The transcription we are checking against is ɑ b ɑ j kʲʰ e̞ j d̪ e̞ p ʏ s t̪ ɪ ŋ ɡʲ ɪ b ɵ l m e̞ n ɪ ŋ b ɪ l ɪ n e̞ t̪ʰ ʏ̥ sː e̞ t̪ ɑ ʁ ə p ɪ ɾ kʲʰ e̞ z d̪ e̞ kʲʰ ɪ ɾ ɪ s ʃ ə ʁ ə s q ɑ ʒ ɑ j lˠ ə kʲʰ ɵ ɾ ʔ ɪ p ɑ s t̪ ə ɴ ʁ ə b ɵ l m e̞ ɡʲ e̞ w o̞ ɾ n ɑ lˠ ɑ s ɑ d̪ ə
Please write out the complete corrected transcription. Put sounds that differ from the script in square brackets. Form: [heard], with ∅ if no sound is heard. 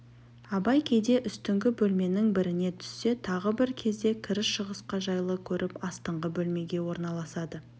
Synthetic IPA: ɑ b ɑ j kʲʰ e̞ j d̪ e̞ [ʔ] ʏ s t̪ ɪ ŋ ɡʲ ɪ b ɵ l m e̞ n ɪ ŋ b ɪ [ɾ] ɪ n e̞ t̪ʰ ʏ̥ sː e̞ [t̪ʰ] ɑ ʁ ə [b] ɪ ɾ kʲʰ e̞ z d̪ e̞ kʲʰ ɪ ɾ ɪ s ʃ ə ʁ ə s q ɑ ʒ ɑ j lˠ ə kʲʰ ɵ ɾ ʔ ɪ p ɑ s t̪ ə ɴ ʁ ə b ɵ l m e̞ ɡʲ e̞ w o̞ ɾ n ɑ lˠ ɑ s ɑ d̪ ə